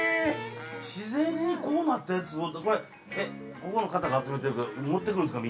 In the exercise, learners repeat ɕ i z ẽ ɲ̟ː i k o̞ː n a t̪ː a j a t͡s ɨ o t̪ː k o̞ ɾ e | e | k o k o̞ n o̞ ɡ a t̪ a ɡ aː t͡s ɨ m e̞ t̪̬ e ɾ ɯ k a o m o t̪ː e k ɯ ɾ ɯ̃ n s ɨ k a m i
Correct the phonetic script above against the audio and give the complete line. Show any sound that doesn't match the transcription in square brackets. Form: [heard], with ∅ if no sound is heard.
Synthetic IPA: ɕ i z ẽ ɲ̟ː i k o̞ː n a t̪ː a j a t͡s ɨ o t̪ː k o̞ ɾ e | e | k o k o̞ n o̞ [k] a t̪ a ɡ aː t͡s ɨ m e̞ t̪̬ e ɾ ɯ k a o m o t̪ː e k ɯ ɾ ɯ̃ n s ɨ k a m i